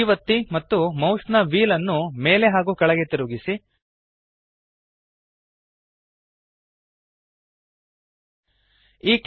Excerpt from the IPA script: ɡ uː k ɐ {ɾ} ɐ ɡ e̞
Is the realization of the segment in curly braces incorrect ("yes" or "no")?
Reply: yes